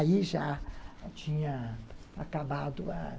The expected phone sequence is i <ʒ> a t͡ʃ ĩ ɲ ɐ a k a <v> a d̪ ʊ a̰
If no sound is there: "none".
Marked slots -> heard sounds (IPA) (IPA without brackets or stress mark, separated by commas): ʒ, b